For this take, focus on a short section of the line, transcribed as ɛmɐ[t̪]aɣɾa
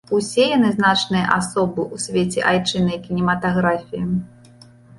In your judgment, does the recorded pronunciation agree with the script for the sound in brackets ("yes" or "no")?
yes